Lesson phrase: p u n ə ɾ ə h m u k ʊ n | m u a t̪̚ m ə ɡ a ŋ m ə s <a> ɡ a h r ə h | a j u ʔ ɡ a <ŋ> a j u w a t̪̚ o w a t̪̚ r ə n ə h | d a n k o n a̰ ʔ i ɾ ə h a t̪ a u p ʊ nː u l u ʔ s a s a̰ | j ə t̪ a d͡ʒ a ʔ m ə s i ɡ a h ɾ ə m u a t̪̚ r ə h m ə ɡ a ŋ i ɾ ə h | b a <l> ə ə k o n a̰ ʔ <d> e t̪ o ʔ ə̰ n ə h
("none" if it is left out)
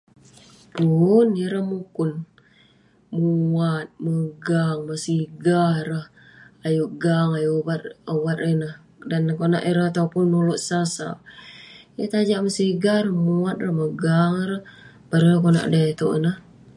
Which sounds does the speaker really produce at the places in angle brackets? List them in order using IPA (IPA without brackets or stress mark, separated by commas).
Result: i, ŋ, ɾ, d